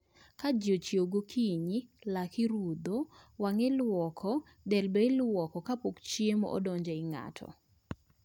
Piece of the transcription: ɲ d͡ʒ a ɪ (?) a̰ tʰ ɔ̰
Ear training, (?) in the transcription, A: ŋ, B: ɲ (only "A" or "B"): A